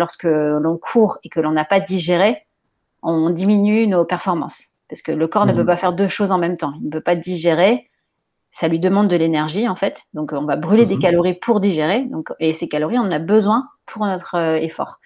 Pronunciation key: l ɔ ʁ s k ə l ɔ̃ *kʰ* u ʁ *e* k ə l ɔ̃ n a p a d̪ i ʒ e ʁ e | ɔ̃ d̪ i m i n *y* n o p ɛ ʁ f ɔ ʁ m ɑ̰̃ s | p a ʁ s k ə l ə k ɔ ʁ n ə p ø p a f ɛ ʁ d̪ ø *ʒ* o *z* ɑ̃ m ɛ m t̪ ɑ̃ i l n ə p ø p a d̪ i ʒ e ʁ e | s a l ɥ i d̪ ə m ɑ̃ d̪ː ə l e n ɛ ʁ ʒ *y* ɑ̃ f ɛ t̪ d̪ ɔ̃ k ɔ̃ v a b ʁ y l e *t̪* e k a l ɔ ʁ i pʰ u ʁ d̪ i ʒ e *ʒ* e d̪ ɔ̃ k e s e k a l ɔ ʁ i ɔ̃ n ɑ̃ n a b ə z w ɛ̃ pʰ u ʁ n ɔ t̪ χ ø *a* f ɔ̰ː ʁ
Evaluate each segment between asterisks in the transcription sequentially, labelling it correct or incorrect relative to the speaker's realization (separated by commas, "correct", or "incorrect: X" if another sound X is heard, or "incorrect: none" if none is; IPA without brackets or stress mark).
correct, correct, correct, incorrect: ʃ, correct, incorrect: i, incorrect: d̪, incorrect: ʁ, incorrect: e